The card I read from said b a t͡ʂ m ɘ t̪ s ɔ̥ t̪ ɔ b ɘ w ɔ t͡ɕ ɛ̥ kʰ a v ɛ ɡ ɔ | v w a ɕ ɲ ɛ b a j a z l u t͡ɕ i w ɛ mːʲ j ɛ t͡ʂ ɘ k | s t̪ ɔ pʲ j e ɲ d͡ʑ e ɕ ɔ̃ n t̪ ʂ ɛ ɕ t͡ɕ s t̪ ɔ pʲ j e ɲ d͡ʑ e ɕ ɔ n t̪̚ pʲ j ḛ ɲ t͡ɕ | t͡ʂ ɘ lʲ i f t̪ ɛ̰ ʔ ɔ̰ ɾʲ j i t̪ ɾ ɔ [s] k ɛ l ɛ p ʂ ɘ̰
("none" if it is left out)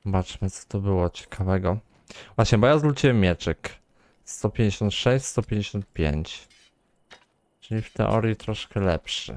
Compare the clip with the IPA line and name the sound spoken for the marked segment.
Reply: ʂ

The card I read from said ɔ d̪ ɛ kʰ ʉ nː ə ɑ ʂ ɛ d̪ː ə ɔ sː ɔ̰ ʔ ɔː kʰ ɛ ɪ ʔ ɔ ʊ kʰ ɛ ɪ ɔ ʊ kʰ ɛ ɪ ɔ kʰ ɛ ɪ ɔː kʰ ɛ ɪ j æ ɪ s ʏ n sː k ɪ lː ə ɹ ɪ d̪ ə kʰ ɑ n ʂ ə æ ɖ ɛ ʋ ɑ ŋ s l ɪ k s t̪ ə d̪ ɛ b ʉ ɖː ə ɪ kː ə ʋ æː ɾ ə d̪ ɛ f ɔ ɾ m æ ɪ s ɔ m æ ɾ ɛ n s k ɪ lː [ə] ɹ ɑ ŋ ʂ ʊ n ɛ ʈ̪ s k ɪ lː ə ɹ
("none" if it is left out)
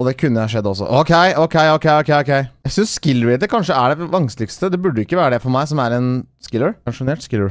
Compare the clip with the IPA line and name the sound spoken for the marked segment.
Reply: ə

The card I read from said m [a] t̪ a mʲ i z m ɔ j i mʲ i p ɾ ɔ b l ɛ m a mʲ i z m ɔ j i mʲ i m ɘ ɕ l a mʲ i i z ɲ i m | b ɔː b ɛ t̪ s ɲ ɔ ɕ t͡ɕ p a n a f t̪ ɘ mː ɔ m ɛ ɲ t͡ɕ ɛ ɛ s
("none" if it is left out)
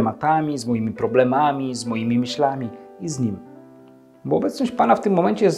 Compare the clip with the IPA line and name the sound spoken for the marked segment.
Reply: a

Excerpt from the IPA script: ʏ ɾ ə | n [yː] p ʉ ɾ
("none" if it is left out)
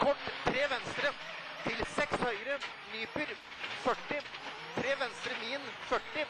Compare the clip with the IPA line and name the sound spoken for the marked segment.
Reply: yː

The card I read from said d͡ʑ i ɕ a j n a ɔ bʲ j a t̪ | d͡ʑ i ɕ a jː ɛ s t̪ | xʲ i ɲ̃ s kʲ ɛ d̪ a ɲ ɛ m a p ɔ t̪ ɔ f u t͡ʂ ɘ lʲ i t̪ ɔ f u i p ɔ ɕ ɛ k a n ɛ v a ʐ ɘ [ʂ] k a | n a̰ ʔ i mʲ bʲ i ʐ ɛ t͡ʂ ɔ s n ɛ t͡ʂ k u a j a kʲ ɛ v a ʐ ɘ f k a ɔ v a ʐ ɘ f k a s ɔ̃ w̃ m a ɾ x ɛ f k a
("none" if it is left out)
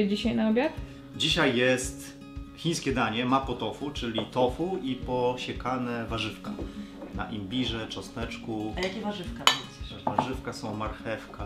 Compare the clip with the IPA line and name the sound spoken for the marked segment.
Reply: f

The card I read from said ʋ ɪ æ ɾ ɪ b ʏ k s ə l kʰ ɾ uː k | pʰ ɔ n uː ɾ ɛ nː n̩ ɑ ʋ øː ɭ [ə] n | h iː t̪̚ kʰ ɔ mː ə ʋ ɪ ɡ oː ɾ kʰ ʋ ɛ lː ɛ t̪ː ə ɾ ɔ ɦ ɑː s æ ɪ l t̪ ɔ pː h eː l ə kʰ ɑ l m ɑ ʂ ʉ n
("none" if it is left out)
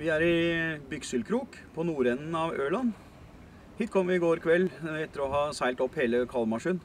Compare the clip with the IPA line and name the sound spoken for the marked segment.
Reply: ɑ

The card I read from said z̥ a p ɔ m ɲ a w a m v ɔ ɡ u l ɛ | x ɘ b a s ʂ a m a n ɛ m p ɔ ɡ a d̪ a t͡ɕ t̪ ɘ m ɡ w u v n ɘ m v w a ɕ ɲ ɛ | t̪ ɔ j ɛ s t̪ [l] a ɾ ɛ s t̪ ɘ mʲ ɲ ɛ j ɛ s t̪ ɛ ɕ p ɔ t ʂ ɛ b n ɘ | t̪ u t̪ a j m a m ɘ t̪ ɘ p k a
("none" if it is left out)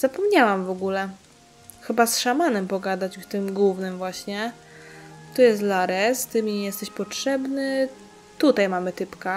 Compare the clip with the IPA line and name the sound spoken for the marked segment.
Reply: l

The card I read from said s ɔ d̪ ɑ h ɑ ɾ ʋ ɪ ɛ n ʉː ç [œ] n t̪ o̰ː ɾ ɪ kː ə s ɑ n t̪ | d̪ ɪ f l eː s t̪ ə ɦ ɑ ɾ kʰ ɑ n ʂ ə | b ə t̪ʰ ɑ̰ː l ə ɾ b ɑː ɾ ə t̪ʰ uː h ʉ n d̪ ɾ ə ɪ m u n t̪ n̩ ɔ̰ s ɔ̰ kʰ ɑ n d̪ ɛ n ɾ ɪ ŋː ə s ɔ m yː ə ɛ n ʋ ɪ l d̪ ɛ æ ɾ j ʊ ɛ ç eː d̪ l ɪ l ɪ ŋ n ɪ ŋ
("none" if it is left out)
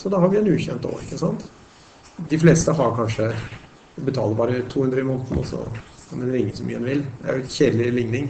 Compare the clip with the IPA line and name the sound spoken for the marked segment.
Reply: ɛ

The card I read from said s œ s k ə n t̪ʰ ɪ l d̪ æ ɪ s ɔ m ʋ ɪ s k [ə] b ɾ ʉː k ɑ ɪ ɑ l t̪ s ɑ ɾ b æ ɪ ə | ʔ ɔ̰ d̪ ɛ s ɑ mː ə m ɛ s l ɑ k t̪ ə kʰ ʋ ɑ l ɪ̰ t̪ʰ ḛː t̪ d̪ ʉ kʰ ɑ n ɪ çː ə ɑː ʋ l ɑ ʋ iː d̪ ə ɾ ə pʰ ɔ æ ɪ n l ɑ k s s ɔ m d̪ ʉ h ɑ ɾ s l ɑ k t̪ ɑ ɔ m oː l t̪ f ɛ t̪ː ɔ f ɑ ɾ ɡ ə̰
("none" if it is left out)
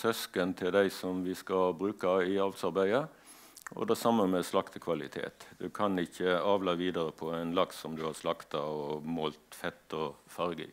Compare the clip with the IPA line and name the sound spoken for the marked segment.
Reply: ɑ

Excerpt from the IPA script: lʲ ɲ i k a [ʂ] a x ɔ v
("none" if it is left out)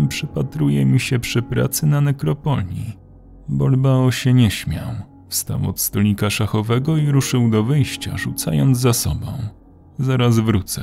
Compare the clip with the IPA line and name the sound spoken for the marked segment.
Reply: ʂ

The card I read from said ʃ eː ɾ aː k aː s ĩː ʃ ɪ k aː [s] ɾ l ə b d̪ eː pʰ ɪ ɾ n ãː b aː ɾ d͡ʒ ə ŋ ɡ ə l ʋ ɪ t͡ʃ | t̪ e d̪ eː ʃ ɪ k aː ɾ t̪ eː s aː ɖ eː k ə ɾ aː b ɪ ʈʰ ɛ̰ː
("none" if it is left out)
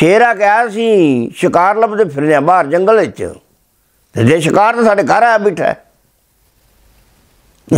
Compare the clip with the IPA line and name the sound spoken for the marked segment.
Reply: none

